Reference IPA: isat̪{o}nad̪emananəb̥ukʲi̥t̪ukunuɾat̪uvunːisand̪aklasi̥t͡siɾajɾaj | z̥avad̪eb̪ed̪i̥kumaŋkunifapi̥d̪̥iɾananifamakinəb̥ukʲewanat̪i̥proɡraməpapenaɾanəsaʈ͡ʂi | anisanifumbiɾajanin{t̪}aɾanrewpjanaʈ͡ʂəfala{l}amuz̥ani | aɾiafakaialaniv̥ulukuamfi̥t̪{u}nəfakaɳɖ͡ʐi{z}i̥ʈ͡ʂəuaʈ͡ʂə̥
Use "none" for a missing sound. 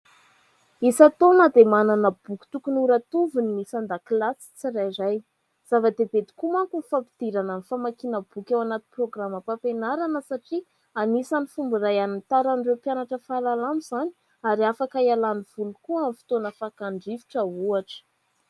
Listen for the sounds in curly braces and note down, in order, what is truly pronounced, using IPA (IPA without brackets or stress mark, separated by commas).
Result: o, t̪, l, o, v